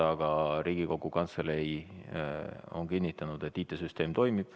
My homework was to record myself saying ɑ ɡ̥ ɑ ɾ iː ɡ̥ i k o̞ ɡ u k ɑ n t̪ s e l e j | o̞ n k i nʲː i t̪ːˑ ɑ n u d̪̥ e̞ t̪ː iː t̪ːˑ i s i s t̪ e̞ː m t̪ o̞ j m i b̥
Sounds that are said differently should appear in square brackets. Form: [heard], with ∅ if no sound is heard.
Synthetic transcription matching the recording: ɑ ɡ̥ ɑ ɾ iː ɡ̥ i k o̞ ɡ u k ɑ n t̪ s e l e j | o̞ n k i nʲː i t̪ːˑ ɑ n u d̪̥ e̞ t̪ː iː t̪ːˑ [e] s [y] s t̪ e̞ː m t̪ o̞ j m i b̥